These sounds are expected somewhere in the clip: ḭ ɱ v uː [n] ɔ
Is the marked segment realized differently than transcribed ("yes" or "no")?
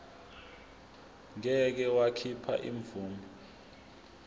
yes